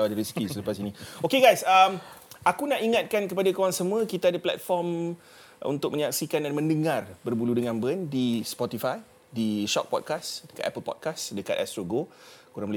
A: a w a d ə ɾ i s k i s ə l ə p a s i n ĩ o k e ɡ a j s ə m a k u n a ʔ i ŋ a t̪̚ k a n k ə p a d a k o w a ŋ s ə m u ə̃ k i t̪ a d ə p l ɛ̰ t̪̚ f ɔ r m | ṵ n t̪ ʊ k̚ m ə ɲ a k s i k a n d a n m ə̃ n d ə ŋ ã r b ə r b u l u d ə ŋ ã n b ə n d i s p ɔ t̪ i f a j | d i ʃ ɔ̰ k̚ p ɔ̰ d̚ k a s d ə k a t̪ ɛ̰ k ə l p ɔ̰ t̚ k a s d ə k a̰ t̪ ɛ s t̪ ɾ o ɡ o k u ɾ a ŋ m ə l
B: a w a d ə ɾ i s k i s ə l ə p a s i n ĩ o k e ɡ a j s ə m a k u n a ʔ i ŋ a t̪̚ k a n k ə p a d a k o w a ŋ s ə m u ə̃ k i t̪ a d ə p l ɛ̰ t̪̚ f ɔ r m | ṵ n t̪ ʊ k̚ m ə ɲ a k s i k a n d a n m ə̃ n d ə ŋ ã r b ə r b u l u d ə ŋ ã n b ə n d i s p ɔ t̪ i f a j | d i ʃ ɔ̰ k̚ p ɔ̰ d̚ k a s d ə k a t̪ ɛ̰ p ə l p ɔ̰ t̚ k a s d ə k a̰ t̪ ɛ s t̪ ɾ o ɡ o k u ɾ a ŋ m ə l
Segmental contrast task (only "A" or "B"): B